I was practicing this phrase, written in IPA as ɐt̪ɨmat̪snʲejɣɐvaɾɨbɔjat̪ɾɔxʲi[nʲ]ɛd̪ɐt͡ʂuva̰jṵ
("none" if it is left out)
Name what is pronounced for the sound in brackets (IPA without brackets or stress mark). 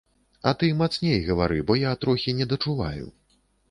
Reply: nʲ